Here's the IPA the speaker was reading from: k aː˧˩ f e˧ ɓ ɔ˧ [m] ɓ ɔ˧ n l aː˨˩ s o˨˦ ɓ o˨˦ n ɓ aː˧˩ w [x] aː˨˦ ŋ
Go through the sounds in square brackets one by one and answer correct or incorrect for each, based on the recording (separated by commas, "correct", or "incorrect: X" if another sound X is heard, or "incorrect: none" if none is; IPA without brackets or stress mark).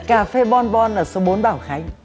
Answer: incorrect: n, correct